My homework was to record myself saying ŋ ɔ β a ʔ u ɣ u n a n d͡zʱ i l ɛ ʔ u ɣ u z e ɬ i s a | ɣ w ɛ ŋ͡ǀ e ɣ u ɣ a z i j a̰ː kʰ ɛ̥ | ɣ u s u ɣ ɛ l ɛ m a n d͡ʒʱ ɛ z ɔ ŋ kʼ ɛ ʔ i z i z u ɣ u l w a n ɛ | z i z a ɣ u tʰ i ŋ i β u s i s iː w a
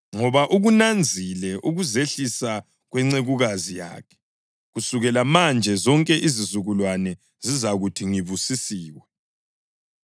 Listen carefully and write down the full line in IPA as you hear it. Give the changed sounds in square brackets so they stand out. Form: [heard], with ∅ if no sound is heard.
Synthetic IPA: ŋ ɔ β a ʔ u ɣ u n a n d͡zʱ i l ɛ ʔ u ɣ u z e ɬ i s a | ɣ w ɛ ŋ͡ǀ e ɣ u ɣ a z i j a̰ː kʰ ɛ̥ | ɣ u s u ɣ ɛ l [a] m a n d͡ʒʱ ɛ z ɔ ŋ kʼ ɛ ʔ i z i z u ɣ u l w a n ɛ | z i z a ɣ u tʰ i ŋ i β u s i s iː w [ɛ]